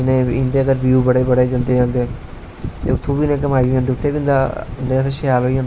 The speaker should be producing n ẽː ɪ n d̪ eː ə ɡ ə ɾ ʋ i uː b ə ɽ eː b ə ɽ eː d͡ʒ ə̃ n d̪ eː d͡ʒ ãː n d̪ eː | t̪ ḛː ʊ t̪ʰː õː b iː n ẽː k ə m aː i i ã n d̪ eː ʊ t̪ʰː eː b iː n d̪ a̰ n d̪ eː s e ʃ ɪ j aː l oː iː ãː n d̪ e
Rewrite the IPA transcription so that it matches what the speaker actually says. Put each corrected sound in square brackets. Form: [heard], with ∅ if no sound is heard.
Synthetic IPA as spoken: n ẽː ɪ n d̪ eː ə ɡ ə ɾ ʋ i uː b ə ɽ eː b ə ɽ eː d͡ʒ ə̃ n d̪ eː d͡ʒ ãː n d̪ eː | t̪ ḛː ʊ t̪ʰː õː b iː n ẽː k ə m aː i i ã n d̪ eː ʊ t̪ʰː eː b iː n d̪ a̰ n d̪ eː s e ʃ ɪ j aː l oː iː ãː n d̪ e